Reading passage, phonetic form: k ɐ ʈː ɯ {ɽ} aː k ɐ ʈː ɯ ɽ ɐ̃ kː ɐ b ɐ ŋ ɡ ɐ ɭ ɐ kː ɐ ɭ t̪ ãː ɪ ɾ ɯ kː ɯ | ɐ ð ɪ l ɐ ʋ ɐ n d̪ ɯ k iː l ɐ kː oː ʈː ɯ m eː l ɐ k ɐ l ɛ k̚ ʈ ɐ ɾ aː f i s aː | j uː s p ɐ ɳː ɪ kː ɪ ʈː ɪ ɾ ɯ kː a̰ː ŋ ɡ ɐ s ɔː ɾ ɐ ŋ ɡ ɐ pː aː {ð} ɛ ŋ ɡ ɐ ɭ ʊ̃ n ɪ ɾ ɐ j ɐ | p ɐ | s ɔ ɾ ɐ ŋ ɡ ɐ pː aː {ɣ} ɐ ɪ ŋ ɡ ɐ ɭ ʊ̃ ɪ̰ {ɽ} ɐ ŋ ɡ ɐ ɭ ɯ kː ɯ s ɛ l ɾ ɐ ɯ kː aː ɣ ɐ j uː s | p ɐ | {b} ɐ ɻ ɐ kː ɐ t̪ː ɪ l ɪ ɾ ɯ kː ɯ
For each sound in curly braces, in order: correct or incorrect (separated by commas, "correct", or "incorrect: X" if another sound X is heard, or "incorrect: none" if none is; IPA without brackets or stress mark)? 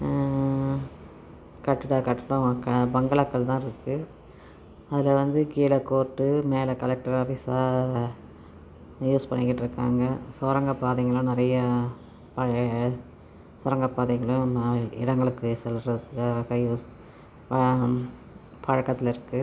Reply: correct, correct, incorrect: ð, correct, incorrect: p